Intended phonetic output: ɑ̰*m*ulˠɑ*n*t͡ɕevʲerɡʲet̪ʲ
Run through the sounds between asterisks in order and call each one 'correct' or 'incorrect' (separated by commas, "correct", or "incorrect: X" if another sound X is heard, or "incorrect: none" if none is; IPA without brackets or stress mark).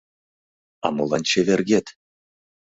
correct, correct